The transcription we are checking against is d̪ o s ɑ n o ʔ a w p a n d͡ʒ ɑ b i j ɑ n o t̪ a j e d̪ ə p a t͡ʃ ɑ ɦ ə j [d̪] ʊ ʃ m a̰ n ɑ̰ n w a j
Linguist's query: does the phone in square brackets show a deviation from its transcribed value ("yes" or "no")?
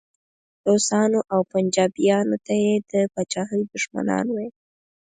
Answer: no